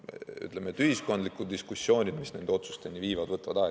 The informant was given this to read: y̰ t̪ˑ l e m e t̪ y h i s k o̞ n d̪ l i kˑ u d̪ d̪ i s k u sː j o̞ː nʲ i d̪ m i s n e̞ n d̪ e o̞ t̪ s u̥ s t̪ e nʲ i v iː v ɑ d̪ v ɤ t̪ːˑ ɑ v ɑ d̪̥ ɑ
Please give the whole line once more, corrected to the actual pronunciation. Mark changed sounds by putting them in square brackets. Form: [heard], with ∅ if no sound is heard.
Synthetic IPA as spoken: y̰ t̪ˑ l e m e t̪ y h i s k o̞ n d̪ l i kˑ u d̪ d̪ i s k u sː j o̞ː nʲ i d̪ m i s n e̞ n d̪ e o̞ t̪ s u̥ s t̪ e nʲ i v iː v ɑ d̪ v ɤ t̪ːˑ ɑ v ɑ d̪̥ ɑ

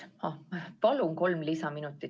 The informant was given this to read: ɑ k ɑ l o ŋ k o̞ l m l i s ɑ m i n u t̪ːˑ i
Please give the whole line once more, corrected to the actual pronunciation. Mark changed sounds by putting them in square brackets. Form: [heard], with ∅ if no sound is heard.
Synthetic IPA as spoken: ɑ [p] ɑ l [u] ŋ k o̞ l m l i s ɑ m i n u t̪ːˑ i

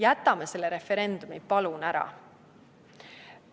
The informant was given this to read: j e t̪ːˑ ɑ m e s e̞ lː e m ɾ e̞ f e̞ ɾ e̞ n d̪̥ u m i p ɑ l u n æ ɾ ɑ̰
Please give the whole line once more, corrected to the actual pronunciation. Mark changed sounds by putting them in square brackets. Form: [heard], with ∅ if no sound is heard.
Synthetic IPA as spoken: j [æ] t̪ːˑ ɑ m e s e̞ lː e [∅] ɾ e̞ f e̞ ɾ e̞ n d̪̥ u m i p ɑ l u n æ ɾ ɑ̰

